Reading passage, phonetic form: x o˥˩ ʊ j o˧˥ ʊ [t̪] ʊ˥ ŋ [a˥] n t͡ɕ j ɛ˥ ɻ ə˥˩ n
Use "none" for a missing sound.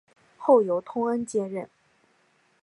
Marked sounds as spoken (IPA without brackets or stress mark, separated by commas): t̪ʰ, ə˥